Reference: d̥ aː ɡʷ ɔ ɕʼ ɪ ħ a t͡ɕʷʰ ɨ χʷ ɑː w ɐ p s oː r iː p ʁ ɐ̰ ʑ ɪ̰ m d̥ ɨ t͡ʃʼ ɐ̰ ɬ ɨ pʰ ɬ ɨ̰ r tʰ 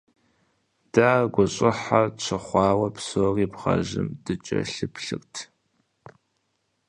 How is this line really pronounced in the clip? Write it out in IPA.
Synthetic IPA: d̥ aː ɡʷ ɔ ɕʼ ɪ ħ a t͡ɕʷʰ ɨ χʷ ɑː w ɐ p s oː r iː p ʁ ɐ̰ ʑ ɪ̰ m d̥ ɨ t͡ʃʼ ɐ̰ ɬ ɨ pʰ ɬ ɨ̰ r tʰ